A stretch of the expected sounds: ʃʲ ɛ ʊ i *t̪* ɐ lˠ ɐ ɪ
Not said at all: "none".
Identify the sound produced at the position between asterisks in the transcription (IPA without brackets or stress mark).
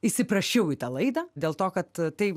t̪